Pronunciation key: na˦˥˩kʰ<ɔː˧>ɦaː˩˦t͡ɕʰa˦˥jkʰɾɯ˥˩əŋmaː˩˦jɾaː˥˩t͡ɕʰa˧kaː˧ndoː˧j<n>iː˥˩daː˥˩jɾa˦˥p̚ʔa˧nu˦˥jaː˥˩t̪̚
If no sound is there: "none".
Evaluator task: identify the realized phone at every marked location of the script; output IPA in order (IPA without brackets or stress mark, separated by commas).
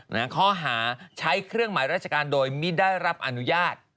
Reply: ɔː˥˩, m